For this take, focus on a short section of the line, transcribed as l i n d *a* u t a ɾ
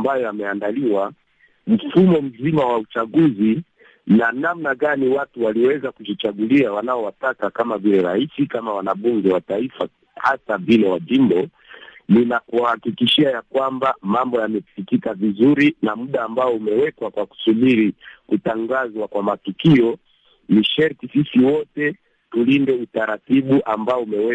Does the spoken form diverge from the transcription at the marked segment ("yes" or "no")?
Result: yes